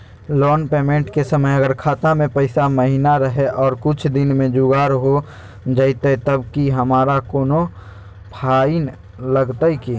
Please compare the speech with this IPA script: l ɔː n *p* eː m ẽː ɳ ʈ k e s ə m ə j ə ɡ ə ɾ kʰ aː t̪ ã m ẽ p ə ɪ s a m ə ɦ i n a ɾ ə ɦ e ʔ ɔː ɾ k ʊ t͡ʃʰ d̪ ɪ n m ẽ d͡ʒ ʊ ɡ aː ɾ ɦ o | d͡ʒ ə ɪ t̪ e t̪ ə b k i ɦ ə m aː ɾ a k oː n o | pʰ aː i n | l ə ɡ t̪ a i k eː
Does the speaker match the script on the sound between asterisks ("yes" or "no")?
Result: yes